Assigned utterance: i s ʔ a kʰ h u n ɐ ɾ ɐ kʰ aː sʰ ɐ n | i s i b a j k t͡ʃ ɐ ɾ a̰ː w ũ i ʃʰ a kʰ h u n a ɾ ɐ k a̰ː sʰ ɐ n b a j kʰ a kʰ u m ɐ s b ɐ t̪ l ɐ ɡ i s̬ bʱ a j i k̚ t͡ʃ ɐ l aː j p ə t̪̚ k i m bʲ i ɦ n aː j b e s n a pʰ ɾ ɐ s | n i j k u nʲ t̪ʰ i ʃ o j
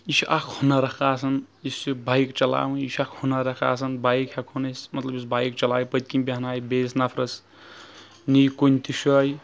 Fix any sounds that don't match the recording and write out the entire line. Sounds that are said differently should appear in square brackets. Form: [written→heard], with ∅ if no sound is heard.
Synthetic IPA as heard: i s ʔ a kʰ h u n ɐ ɾ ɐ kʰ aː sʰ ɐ n | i s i b a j k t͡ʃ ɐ [ɾ→l] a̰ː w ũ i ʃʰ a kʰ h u n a ɾ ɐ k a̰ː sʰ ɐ n b a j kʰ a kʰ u [m→n] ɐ s [b→m] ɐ t̪ l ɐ [ɡ→b] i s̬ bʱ a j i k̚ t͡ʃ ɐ l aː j p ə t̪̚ k i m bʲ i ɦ n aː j b e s n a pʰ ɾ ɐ s | n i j k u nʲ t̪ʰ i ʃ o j

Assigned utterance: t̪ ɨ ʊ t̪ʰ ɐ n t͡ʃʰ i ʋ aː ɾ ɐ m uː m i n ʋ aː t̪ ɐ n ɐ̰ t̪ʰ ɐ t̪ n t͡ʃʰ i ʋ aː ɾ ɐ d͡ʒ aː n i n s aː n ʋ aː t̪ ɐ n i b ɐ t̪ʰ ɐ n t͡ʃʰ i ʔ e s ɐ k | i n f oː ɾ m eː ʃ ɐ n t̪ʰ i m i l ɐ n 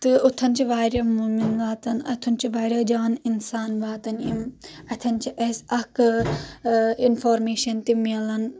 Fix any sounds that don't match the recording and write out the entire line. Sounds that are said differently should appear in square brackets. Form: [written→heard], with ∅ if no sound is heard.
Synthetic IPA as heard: t̪ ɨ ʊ t̪ʰ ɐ n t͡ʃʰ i ʋ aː ɾ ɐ m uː m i n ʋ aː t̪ ɐ n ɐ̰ t̪ʰ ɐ [t̪→∅] n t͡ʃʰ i ʋ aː ɾ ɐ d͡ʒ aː n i n s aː n ʋ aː t̪ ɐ n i [b→m] ɐ t̪ʰ ɐ n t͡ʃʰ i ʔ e s ɐ k | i n f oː ɾ m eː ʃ ɐ n [t̪ʰ→t̪] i m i l ɐ n

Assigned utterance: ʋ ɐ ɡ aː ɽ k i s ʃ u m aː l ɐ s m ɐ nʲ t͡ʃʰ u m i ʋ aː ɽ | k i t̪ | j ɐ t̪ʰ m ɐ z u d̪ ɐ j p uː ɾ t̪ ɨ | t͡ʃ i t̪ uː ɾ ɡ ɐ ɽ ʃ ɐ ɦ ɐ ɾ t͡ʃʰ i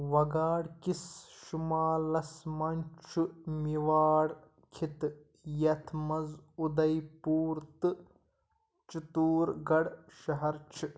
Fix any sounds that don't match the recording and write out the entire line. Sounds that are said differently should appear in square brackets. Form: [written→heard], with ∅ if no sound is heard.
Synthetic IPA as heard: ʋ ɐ ɡ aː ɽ k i s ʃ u m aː l ɐ s m ɐ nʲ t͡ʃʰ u m i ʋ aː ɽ | [k→kʰ] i t̪ | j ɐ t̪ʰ m ɐ z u d̪ ɐ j p uː ɾ t̪ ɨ | t͡ʃ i t̪ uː ɾ ɡ ɐ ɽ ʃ ɐ ɦ ɐ ɾ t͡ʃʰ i

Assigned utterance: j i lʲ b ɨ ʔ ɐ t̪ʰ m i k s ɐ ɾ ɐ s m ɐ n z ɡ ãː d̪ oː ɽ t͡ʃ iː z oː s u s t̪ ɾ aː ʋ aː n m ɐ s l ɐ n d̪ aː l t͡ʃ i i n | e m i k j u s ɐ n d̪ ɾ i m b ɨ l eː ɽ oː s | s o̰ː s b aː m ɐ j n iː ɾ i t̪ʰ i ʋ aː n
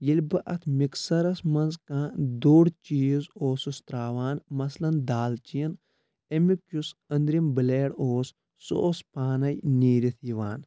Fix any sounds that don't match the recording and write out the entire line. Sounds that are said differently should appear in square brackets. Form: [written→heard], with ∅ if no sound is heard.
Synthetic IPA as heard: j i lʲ b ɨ ʔ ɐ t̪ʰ m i k s ɐ ɾ ɐ s m ɐ n z [ɡ→k] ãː d̪ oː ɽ t͡ʃ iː z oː s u s t̪ ɾ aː ʋ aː n m ɐ s l ɐ n d̪ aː l t͡ʃ i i n | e m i k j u s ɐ n d̪ ɾ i m b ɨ l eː ɽ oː s | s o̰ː s [b→p] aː [m→n] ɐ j n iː ɾ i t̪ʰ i ʋ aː n

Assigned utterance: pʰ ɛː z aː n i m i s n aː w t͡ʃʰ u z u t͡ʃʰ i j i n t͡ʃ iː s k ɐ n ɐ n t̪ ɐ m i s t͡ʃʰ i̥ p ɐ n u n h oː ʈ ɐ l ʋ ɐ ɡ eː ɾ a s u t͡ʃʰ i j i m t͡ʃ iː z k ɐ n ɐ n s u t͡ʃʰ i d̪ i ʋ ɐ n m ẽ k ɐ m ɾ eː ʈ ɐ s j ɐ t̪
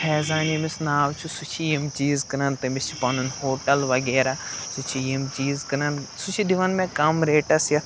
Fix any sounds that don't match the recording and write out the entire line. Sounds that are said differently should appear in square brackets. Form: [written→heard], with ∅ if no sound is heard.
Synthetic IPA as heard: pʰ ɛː z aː n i m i s n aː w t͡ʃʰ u [z→s] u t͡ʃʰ i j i [n→m] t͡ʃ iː [s→z] k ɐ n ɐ n t̪ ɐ m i s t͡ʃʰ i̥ p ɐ n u n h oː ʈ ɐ l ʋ ɐ ɡ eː ɾ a s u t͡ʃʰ i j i m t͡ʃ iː z k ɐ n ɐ n s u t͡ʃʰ i d̪ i ʋ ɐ n m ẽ k ɐ m ɾ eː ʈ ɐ s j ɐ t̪

